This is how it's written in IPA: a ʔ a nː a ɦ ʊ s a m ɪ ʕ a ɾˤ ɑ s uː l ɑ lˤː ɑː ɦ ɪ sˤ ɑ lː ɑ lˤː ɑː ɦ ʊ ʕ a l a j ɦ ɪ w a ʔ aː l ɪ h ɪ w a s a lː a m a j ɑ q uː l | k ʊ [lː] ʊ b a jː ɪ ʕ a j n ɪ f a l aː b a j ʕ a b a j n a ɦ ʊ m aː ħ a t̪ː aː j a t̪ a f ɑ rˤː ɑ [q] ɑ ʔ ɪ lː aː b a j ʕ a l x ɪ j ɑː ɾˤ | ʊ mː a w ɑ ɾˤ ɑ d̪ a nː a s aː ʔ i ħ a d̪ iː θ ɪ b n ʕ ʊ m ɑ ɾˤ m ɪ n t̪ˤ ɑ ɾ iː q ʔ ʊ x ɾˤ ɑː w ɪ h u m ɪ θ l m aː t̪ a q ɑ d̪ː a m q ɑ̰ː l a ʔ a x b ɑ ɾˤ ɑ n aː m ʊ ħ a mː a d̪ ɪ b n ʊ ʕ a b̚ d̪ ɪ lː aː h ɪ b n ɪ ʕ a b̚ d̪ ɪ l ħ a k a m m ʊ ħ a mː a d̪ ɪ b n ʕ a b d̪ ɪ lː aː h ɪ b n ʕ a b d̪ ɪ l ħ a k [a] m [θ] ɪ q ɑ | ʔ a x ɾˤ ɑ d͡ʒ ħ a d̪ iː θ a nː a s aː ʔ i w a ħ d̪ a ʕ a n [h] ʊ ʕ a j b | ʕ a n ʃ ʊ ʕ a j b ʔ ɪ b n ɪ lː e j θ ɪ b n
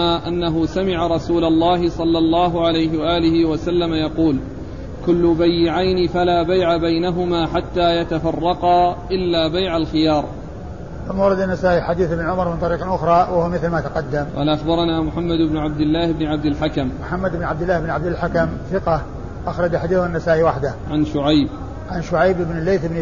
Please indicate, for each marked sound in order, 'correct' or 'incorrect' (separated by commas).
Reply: correct, correct, correct, correct, incorrect